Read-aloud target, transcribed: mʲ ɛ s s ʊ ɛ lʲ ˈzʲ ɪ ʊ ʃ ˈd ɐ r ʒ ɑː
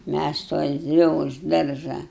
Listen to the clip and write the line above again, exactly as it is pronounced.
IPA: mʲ æ s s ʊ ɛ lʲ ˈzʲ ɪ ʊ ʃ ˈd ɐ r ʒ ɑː